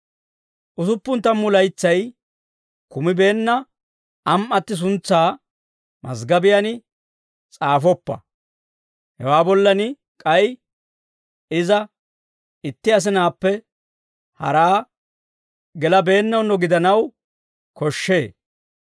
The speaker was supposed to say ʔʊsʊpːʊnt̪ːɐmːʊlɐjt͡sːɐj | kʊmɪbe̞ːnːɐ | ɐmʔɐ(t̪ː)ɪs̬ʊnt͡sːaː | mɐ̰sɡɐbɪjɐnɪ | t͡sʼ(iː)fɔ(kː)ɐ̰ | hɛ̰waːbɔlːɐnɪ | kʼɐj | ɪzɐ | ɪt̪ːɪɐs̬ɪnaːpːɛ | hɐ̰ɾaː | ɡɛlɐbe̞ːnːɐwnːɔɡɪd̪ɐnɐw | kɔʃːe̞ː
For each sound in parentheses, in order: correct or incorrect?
correct, incorrect: aː, incorrect: pː

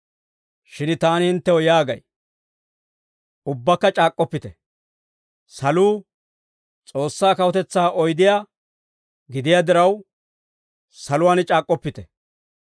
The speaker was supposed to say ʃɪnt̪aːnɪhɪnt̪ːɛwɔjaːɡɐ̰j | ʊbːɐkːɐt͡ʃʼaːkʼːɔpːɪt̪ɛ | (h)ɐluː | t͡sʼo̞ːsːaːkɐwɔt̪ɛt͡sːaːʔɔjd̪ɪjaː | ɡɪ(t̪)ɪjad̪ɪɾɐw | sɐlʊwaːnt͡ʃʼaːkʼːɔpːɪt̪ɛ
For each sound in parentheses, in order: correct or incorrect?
incorrect: s, incorrect: d̪

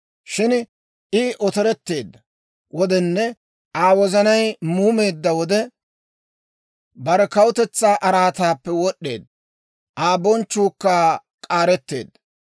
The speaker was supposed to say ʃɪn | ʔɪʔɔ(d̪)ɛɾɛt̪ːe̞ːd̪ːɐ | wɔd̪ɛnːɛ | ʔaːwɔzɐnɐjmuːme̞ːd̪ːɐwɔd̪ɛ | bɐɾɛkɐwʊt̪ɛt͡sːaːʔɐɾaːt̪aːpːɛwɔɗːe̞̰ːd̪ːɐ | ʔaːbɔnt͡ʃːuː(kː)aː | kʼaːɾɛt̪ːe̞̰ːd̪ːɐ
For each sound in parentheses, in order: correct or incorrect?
incorrect: t̪, correct

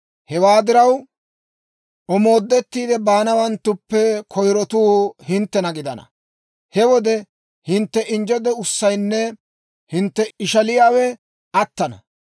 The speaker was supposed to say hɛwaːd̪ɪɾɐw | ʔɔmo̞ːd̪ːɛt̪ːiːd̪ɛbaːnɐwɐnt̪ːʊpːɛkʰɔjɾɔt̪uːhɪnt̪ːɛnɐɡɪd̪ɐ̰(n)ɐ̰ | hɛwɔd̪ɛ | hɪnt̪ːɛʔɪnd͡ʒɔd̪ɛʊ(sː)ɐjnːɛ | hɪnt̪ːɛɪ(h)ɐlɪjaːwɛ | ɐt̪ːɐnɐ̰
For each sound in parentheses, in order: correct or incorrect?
correct, correct, incorrect: ʃ

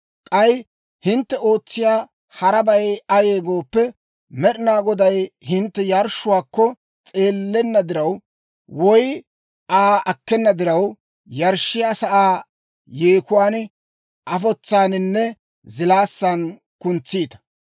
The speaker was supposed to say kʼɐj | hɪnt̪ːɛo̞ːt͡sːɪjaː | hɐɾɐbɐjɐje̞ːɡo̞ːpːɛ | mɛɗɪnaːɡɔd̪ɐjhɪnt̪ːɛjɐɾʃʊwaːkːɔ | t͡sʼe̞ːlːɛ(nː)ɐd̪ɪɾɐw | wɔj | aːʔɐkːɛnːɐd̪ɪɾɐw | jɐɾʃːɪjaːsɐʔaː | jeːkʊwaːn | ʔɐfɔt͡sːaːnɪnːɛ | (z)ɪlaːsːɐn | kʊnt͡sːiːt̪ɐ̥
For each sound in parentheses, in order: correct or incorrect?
correct, correct

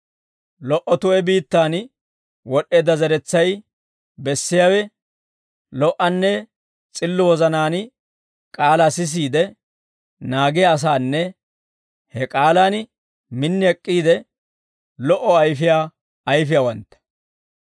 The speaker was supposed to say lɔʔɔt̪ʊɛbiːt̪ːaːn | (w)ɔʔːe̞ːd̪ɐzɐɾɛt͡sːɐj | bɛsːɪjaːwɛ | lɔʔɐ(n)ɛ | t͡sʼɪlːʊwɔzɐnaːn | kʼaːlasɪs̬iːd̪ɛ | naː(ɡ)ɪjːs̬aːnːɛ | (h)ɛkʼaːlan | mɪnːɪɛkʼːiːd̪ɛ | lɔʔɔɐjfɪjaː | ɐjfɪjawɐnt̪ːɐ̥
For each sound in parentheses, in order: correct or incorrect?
correct, incorrect: nː, correct, correct

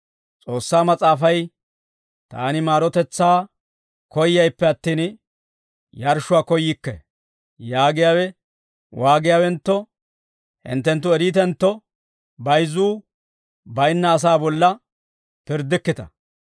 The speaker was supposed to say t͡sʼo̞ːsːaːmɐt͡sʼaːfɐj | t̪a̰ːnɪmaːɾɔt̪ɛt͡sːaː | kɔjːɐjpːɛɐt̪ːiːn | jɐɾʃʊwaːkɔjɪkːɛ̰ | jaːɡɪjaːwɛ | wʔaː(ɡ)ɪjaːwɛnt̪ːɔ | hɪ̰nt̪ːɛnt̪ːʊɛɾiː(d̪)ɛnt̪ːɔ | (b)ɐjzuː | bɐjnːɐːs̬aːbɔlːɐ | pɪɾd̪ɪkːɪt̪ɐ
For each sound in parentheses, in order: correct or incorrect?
correct, incorrect: t̪, correct

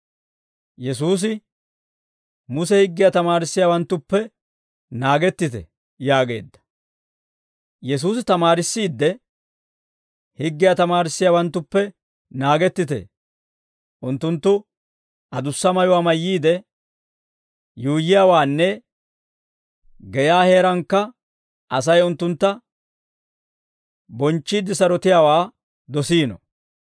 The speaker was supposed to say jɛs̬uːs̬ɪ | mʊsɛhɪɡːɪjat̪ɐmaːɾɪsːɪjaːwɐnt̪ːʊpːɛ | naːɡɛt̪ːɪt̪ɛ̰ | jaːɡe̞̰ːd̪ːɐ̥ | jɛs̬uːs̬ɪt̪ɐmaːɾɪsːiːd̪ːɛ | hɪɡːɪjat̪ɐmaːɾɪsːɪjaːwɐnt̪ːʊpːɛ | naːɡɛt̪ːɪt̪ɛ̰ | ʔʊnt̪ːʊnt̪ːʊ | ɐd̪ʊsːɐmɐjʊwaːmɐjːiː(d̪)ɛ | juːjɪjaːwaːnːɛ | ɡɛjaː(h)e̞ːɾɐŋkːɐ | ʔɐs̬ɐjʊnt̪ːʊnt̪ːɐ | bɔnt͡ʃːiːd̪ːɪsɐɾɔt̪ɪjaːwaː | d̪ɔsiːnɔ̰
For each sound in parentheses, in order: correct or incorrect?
correct, correct

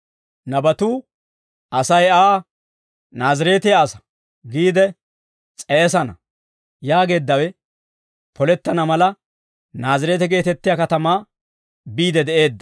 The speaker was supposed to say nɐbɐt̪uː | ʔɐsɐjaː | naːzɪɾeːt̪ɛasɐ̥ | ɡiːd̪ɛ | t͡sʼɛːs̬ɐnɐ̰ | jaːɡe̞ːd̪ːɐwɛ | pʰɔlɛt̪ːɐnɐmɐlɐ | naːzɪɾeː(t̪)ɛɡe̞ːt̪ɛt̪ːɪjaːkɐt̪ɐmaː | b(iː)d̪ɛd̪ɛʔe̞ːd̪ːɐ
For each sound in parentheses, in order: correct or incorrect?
correct, correct

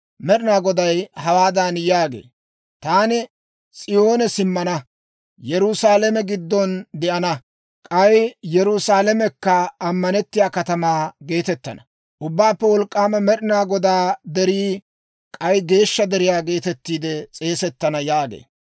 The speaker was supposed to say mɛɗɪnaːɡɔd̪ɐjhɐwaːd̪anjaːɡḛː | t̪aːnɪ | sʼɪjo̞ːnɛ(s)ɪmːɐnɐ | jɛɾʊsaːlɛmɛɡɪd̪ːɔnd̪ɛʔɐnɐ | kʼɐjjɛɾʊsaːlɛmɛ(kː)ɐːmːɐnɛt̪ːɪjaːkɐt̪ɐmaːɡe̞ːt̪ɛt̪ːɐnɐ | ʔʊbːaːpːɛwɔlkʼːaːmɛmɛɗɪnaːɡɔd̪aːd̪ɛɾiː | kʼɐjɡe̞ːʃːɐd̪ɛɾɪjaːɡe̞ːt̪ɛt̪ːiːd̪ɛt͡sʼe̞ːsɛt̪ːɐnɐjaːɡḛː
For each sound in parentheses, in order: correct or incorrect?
correct, correct

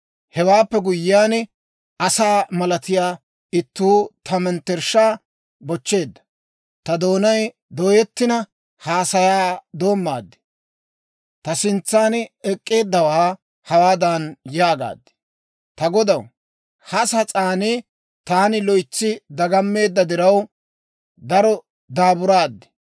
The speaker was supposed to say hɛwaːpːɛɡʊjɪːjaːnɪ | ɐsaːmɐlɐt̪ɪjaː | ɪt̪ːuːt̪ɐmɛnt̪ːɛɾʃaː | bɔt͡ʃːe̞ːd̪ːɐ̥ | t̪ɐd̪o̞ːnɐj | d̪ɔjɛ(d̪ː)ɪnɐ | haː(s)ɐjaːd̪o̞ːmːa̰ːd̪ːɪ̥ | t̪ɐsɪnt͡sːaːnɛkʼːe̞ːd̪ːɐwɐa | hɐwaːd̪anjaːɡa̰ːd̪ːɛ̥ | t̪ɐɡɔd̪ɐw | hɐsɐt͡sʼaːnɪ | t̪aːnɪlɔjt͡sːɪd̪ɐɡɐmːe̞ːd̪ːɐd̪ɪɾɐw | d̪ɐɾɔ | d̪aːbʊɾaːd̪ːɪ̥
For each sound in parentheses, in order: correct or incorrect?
incorrect: t̪ː, correct

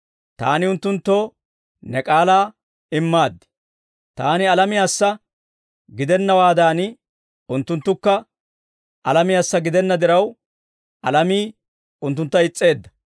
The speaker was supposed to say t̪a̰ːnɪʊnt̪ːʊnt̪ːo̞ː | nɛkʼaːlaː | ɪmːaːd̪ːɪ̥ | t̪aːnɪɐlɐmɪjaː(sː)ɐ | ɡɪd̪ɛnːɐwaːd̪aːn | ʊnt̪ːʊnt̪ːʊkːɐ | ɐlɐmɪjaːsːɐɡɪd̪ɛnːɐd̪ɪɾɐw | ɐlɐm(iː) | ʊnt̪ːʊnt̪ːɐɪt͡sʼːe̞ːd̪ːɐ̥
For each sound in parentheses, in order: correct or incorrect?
correct, correct

